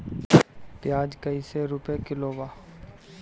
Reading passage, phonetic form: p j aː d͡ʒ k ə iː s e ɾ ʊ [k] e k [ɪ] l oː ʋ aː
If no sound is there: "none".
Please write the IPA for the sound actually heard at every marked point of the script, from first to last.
p, ɪ

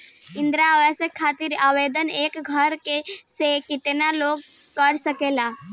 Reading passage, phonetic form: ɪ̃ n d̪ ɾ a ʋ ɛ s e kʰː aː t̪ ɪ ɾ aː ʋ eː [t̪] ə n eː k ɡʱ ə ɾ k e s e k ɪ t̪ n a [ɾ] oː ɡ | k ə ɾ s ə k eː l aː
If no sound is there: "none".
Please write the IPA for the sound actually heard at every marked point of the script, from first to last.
d̪, l

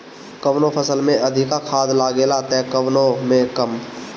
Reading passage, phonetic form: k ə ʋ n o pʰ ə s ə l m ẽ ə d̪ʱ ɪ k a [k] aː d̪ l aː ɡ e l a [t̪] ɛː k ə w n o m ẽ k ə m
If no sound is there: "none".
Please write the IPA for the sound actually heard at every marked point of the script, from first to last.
kʰ, t̪

